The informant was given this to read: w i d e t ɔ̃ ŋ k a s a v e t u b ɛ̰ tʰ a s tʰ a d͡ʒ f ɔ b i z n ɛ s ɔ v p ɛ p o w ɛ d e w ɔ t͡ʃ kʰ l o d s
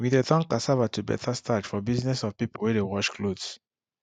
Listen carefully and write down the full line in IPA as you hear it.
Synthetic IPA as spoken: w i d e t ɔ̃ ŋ k a s a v a t u b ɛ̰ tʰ a s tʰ a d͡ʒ f ɔ b i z n ɛ s ɔ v p i p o w ɛ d e w ɔ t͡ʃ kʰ l o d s

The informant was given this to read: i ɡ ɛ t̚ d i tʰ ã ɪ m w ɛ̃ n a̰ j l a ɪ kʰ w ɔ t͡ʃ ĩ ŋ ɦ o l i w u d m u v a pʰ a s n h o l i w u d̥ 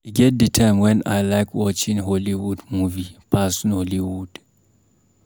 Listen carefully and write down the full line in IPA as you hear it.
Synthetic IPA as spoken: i ɡ ɛ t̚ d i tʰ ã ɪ m w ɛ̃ n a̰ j l a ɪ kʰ w ɔ t͡ʃ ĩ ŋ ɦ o l i w u d m u v i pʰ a s n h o l i w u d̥

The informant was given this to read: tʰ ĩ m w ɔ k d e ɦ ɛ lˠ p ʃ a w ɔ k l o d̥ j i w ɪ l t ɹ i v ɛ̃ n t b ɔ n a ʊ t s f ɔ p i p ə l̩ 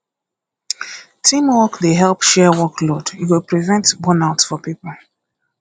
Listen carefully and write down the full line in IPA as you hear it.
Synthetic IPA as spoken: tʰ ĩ m w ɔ k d e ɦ ɛ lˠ p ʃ ɛ w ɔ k l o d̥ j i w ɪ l p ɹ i v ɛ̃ n t b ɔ n a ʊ t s f ɔ p i p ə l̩

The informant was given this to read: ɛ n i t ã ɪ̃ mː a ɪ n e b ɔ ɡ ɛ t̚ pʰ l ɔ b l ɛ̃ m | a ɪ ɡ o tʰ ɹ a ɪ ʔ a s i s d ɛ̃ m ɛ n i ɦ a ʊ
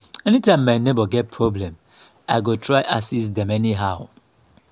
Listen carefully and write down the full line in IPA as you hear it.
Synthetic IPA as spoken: ɛ n i t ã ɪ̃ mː a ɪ n e b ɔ ɡ ɛ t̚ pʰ ɹ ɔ b l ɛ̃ m | a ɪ ɡ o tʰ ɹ a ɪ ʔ a s i s d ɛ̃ m ɛ n i ɦ a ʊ

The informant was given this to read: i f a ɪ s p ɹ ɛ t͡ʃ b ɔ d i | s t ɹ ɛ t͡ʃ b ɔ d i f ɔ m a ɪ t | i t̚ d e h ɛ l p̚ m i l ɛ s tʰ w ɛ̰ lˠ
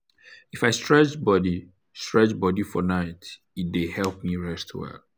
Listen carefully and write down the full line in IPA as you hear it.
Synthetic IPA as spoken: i f a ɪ s t ɹ ɛ t͡ʃ b ɔ d i | s t ɹ ɛ t͡ʃ b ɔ d i f ɔ n a ɪ t | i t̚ d e h ɛ l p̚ m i ɹ ɛ s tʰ w ɛ̰ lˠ

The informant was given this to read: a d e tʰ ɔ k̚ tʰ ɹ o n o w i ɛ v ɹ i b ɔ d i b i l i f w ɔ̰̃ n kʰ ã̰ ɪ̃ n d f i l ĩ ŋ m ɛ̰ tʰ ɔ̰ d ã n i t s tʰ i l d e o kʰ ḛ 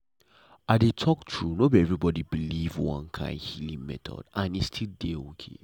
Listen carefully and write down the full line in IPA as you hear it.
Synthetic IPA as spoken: a d e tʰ ɔ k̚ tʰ ɹ u n o b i ɛ v ɹ i b ɔ d i b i l i v w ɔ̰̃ n kʰ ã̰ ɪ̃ n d h i l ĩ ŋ m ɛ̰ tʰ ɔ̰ d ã n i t s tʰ i l d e o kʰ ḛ

